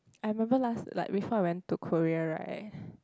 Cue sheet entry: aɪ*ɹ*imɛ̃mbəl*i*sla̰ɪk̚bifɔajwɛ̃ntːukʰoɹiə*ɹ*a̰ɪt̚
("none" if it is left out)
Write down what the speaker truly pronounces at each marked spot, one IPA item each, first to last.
ɹ, a, ɹ

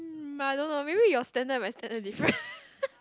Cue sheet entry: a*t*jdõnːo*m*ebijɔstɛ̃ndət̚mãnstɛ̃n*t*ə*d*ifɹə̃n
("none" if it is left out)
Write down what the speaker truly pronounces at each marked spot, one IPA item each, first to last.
none, m, d, d

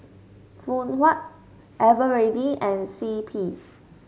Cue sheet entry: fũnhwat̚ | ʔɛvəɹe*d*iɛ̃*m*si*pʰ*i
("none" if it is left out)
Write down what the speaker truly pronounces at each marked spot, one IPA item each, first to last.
d, n, pʰ

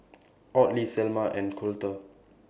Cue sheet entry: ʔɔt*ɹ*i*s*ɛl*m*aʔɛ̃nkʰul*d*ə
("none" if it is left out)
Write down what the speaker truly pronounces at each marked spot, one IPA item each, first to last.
l, s, m, t

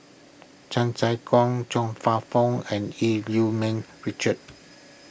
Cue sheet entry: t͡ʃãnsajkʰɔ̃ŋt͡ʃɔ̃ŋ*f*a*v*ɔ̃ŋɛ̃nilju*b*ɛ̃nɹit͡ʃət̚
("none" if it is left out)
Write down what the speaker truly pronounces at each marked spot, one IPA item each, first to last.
f, f, m

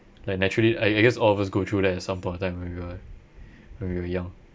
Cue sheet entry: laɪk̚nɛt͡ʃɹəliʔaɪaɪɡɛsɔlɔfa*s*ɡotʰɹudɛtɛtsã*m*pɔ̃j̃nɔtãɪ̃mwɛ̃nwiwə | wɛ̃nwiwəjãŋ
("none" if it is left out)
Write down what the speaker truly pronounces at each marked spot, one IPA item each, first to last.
s, m

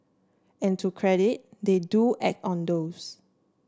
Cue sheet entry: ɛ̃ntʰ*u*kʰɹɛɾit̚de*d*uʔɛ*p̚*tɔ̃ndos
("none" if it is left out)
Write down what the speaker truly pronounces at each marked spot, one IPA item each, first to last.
u, d, k̚

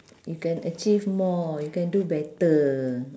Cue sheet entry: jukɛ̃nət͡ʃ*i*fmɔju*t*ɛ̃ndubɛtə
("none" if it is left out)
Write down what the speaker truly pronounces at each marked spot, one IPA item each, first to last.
i, k

